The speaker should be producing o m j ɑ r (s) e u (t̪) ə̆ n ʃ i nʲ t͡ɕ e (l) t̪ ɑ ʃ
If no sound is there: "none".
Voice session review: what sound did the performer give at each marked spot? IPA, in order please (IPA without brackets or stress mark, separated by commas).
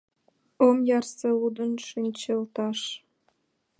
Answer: s, d̪, l